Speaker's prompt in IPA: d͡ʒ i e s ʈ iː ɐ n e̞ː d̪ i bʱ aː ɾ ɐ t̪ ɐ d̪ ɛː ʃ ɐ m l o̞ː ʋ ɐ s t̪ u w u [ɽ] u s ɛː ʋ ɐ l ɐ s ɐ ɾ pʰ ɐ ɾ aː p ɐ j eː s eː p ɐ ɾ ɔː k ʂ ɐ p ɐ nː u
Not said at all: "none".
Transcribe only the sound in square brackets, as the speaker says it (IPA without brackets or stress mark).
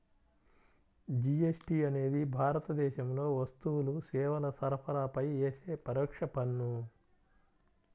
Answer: l